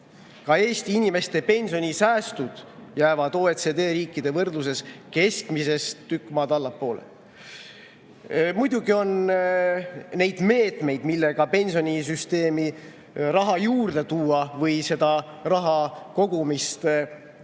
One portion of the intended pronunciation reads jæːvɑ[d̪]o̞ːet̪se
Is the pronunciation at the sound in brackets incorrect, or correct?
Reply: correct